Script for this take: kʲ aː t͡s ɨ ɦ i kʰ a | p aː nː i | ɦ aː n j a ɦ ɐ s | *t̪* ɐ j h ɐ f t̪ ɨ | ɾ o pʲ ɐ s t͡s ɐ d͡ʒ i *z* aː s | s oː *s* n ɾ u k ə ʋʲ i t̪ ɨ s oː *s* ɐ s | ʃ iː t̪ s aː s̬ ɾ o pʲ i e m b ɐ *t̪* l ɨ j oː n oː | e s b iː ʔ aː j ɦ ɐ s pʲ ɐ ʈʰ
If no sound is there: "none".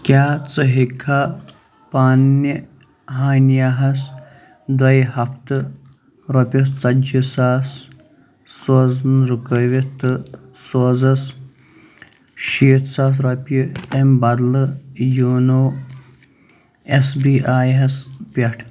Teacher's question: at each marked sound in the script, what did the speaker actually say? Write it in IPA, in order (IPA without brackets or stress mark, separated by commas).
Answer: d̪, s, z, z, d̪